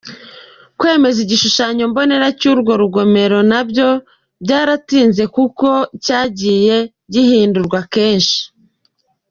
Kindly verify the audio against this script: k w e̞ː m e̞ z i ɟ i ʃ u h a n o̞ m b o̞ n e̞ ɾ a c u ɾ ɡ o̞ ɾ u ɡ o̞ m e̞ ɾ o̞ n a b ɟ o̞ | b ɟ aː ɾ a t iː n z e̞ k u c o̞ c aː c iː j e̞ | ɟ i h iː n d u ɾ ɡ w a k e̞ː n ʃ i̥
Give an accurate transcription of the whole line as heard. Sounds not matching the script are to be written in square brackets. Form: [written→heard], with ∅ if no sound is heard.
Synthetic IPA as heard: k w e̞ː m e̞ z i ɟ i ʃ u [h→ʃ] a [n→ɲ] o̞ m b o̞ n e̞ ɾ a c u ɾ ɡ o̞ ɾ u ɡ o̞ m e̞ ɾ o̞ n a b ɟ o̞ | b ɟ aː ɾ a t iː n z e̞ k u [c→k] o̞ c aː [c→ɟ] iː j e̞ | ɟ i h iː n d u ɾ ɡ w a k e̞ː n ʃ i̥